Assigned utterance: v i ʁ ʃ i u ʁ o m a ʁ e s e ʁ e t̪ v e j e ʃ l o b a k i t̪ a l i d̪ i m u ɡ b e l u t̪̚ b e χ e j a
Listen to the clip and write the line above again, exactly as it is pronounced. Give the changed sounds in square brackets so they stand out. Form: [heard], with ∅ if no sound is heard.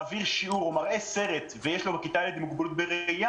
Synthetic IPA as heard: v i ʁ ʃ i u ʁ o m a ʁ e s e ʁ e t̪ v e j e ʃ l o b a k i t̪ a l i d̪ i m u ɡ b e l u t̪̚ b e [ʁ] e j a